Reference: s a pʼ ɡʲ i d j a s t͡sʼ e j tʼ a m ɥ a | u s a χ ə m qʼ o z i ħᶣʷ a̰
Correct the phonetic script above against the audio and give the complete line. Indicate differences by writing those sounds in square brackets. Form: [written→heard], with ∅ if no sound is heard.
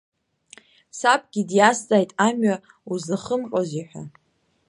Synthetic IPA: s a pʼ ɡʲ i d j a s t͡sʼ [e→a] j tʼ a m ɥ a | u [s→z] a χ ə m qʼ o z i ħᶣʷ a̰